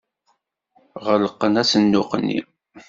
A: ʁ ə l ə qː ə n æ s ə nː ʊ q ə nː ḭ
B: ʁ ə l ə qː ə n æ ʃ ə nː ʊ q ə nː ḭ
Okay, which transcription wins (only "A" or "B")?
A